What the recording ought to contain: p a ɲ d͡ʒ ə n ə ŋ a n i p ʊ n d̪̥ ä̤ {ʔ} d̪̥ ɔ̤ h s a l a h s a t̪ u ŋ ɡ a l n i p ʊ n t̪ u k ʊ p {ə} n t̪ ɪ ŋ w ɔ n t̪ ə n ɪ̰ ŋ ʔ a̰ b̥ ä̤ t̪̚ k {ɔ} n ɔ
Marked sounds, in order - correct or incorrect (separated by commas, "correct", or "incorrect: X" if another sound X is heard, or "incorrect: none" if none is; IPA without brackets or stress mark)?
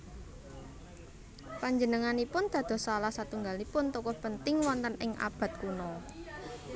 incorrect: none, correct, incorrect: u